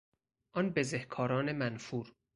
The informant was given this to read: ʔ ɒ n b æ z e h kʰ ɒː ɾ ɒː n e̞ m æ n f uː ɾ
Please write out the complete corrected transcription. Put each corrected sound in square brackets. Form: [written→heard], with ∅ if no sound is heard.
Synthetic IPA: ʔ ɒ n b [æ→e] z e h kʰ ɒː ɾ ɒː n e̞ m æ n f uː ɾ

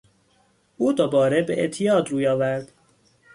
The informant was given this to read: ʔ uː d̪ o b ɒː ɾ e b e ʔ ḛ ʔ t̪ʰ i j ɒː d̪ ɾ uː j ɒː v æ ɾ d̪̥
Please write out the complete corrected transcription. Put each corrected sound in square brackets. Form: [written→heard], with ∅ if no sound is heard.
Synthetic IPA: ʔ uː d̪ o b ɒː ɾ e b e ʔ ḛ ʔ t̪ʰ i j ɒː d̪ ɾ uː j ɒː v æ ɾ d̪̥

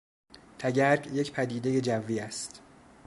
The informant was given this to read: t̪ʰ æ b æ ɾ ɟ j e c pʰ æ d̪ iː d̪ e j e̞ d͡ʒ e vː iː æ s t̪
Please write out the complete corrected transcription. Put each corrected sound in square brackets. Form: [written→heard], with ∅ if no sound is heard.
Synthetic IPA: t̪ʰ æ [b→ɟ] æ ɾ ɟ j e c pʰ æ d̪ iː d̪ e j e̞ d͡ʒ [e→æ] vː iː æ s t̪

